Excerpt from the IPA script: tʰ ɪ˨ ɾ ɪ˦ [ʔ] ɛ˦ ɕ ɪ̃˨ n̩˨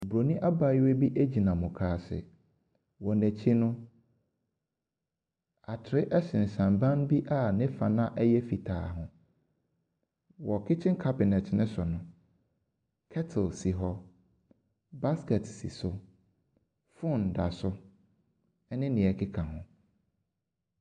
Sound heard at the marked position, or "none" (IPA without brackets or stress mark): ʔ